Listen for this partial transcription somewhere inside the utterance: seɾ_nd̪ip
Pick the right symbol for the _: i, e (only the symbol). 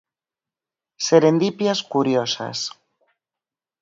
e